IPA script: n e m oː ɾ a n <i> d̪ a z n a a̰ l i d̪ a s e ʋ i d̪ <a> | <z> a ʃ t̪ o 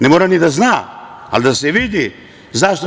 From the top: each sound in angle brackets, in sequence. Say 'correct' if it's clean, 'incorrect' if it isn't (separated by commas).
correct, incorrect, correct